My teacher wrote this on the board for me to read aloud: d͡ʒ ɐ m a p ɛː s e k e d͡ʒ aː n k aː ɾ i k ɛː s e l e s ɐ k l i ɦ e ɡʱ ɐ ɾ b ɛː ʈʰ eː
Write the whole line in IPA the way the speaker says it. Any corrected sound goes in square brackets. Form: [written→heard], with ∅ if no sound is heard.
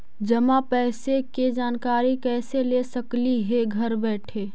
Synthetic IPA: d͡ʒ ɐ m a p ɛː s e k e d͡ʒ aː n k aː ɾ i k ɛː s e l e s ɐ k l i ɦ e ɡʱ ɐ ɾ b ɛː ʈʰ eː